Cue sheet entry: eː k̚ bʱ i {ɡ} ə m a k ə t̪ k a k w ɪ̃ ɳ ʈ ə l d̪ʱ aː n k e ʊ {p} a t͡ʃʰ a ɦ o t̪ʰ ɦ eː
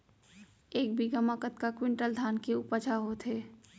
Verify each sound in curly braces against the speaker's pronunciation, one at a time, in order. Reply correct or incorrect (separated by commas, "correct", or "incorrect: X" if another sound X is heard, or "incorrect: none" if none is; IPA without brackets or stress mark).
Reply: correct, correct